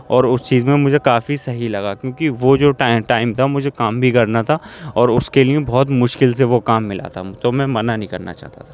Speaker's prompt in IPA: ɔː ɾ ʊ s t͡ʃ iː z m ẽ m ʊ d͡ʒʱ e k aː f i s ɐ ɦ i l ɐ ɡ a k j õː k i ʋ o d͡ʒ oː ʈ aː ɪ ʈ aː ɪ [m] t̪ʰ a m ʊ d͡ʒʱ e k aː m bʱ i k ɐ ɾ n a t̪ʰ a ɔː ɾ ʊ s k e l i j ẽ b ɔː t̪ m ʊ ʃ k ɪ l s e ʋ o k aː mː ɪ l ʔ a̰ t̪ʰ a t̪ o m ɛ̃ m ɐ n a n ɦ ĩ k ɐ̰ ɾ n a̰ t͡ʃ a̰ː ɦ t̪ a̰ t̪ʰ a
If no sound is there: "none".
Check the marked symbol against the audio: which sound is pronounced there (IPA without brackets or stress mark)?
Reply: m